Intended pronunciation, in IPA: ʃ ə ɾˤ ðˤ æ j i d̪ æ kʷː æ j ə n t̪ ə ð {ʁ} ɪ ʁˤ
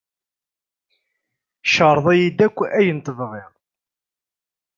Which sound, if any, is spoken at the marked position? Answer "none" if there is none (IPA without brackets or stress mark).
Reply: ʁ